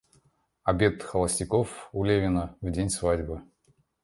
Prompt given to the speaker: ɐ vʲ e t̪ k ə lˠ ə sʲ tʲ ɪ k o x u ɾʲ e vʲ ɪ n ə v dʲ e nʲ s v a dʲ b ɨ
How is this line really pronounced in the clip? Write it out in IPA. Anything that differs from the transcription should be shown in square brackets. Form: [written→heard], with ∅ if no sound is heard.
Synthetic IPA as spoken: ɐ [vʲ→bʲ] e t̪ [k→x] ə lˠ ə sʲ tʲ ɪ k o [x→f] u [ɾʲ→lʲ] e vʲ ɪ n ə v dʲ e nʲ s v a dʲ b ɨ